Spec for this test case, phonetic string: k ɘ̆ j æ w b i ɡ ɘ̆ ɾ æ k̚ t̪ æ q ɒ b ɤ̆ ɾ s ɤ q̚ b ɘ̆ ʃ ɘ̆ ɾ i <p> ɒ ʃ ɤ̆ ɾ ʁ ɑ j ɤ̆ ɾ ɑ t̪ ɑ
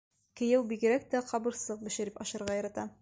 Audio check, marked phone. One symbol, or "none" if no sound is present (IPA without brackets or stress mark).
p